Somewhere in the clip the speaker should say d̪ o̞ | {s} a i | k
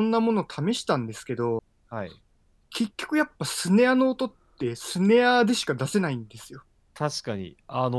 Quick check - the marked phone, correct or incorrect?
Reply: incorrect